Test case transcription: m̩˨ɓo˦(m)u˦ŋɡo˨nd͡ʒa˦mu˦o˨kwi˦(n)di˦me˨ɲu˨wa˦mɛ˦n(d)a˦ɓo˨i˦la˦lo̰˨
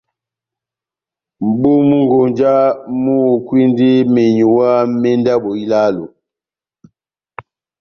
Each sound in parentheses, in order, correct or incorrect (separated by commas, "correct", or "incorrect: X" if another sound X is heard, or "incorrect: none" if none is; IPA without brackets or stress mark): correct, correct, correct